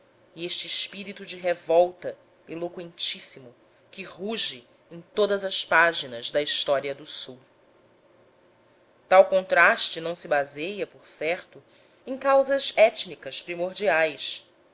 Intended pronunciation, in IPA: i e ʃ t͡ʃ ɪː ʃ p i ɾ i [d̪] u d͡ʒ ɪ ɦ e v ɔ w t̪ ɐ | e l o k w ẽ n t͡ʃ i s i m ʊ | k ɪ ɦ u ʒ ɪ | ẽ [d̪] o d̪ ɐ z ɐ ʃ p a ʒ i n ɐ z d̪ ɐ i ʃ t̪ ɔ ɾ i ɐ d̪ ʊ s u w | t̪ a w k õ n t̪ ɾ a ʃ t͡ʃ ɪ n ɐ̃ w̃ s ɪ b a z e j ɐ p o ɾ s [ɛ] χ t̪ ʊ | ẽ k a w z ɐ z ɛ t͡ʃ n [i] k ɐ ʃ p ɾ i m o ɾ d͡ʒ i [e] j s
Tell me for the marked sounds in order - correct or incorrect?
incorrect, incorrect, correct, correct, incorrect

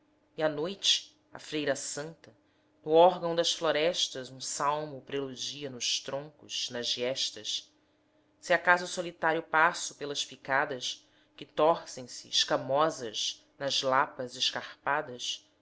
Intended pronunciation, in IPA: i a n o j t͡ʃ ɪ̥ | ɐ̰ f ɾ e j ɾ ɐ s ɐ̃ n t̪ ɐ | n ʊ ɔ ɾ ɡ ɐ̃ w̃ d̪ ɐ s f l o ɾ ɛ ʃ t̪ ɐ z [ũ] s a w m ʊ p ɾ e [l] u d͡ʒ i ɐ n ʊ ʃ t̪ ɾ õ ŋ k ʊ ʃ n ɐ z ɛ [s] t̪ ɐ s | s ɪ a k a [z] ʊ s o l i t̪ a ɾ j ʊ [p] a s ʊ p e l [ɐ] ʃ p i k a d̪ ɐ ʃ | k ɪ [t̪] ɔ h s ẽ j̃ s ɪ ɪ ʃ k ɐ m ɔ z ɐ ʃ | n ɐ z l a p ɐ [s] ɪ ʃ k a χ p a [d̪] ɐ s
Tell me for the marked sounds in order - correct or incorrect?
correct, correct, incorrect, correct, correct, correct, correct, incorrect, correct

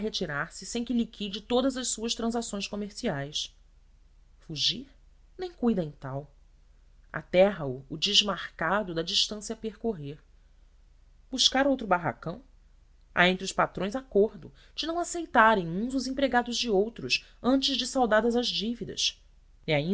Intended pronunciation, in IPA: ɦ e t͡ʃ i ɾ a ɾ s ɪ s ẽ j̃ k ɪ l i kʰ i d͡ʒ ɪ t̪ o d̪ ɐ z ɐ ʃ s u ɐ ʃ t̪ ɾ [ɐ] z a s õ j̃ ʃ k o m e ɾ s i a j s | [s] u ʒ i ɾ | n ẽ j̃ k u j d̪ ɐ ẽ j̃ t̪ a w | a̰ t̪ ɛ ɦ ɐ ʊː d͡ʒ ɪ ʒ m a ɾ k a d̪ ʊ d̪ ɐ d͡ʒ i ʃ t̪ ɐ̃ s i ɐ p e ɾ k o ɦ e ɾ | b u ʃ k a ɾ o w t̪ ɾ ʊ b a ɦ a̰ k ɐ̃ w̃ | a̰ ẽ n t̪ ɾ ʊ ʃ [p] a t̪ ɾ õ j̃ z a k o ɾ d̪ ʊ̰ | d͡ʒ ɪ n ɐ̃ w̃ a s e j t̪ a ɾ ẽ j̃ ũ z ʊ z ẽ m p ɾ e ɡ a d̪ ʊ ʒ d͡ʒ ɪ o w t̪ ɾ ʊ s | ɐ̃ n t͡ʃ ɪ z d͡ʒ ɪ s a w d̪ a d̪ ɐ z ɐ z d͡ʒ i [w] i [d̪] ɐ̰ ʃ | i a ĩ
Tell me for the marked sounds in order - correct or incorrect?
incorrect, incorrect, correct, incorrect, correct

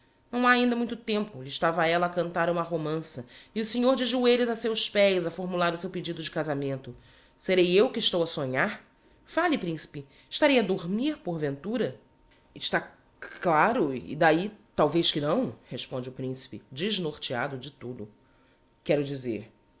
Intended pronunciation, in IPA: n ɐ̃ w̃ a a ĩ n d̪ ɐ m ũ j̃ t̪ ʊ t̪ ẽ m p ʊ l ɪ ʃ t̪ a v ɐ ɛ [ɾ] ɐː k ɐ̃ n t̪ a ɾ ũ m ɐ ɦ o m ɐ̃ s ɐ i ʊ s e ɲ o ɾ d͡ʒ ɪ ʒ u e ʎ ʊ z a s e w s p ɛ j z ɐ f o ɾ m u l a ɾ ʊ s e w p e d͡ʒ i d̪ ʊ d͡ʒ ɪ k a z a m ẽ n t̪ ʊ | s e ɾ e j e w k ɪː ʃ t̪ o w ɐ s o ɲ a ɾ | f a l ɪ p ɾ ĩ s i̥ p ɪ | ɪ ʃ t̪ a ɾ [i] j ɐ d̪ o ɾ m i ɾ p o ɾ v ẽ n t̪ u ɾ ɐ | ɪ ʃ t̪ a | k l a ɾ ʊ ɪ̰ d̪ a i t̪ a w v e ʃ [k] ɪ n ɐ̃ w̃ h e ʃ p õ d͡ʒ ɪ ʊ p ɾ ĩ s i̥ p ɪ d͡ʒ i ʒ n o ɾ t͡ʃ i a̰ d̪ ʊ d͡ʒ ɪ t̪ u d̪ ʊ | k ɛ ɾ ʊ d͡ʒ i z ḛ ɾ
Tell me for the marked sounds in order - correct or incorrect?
incorrect, incorrect, correct

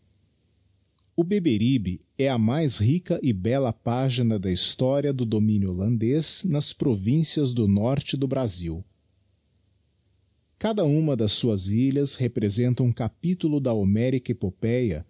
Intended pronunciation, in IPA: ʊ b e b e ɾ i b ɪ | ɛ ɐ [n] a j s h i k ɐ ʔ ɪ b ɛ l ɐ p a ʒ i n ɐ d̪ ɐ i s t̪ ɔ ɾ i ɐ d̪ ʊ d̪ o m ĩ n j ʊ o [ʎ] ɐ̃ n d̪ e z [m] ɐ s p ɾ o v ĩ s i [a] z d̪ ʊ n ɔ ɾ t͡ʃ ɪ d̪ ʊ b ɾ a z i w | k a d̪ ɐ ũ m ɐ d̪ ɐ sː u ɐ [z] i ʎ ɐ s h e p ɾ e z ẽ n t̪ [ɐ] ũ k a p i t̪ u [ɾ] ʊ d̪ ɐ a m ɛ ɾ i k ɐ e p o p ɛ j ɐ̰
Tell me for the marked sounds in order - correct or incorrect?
incorrect, incorrect, incorrect, incorrect, correct, correct, incorrect

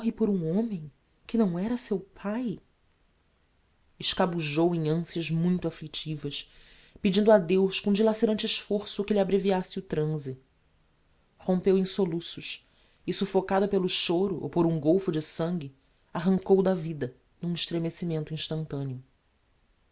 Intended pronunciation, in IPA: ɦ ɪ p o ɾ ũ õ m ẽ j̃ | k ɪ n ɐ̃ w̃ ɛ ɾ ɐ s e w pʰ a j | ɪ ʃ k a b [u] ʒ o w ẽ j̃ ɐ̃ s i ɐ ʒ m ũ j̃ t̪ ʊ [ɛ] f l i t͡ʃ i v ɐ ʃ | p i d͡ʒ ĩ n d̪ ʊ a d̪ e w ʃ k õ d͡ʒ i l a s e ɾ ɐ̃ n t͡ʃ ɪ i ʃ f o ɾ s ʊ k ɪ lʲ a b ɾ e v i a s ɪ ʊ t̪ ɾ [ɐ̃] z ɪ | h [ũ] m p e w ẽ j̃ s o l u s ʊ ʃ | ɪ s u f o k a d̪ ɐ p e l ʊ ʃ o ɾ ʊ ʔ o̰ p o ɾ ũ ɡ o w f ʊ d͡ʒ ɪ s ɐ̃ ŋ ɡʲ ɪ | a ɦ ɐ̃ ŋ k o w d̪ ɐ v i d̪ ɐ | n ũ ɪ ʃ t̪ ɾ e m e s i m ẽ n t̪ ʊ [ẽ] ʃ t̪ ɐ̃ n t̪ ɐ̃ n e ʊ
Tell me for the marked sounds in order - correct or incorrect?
correct, incorrect, correct, incorrect, incorrect

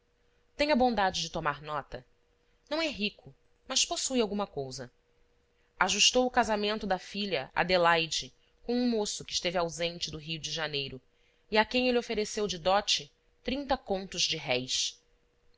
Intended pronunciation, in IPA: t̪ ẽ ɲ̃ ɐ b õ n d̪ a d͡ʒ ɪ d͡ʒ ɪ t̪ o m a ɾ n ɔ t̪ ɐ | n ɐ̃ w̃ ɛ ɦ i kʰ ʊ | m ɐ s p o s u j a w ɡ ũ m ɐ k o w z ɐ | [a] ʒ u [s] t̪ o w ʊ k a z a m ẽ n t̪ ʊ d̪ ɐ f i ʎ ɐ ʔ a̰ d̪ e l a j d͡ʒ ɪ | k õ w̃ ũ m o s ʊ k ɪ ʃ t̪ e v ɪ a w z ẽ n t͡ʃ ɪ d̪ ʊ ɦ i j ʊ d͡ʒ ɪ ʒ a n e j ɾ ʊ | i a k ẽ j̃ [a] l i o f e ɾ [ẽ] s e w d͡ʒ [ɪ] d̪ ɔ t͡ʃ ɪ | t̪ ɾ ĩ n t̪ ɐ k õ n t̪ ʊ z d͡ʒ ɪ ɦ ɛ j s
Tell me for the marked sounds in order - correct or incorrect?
correct, incorrect, incorrect, incorrect, correct

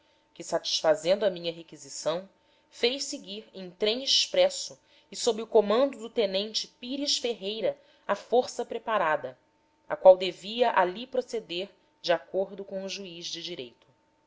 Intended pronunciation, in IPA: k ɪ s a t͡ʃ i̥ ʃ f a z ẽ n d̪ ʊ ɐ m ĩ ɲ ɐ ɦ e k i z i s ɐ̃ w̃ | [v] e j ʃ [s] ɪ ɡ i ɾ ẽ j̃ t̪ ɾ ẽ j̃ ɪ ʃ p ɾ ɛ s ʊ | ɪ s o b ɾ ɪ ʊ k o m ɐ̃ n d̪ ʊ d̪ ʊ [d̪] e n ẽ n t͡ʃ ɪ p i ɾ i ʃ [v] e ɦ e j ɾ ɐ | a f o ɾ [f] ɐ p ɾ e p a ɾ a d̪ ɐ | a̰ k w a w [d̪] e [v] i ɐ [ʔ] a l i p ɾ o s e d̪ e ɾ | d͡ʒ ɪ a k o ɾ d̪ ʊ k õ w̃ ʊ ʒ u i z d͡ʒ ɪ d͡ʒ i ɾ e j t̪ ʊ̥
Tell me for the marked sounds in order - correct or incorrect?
incorrect, correct, incorrect, incorrect, incorrect, correct, correct, correct

